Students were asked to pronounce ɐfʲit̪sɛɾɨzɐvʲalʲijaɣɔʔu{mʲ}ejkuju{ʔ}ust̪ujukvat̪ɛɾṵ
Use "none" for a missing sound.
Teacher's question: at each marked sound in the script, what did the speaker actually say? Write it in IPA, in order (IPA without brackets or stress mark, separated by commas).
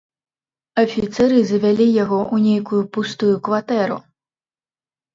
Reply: nʲ, p